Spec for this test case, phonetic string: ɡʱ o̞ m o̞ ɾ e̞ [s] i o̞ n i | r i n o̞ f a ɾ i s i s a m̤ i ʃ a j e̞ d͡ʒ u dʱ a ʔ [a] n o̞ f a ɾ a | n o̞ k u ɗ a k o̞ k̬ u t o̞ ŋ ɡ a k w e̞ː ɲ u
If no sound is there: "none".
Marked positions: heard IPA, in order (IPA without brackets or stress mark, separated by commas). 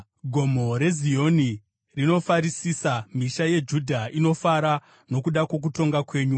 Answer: z, i